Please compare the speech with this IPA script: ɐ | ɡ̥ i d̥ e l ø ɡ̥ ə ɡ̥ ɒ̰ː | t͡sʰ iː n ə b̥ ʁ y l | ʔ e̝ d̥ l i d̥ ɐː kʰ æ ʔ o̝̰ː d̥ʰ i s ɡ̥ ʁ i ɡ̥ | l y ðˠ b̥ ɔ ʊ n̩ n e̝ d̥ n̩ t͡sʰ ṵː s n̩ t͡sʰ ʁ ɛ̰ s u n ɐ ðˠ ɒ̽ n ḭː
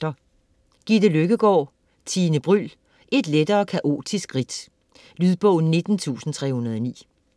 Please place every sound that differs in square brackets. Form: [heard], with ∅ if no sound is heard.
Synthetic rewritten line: ɐ | ɡ̥ i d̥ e l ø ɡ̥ ə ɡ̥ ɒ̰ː | t͡sʰ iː n ə b̥ ʁ y l | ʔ e̝ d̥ l [e] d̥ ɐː kʰ æ ʔ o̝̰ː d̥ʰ i s ɡ̥ ʁ i [d̥] | l y ðˠ b̥ ɔ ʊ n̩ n e̝ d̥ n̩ t͡sʰ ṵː s n̩ t͡sʰ ʁ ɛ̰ [h] u n ɐ ðˠ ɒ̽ n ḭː